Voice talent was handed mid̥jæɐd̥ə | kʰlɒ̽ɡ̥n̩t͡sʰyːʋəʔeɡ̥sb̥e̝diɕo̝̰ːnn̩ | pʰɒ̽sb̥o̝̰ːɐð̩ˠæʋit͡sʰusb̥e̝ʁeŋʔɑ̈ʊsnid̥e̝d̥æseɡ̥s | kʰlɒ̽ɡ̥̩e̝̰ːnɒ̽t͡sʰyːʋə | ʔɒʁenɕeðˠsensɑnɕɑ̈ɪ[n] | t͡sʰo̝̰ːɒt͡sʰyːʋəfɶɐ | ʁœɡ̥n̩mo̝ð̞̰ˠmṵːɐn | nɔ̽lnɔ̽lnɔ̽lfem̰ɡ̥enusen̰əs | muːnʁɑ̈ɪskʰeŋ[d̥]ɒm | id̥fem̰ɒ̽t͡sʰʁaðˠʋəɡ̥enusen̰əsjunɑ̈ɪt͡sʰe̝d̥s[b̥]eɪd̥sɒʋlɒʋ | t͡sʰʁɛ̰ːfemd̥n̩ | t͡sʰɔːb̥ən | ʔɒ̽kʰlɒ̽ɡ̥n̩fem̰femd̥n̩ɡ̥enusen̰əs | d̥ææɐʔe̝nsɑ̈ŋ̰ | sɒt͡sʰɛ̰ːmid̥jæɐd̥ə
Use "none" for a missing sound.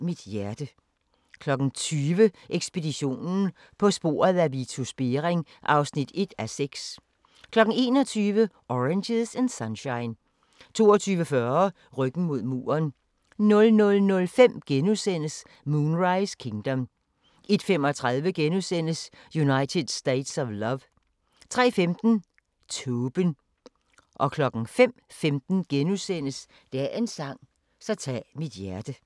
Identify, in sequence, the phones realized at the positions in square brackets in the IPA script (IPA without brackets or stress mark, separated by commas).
n, d̥, d̥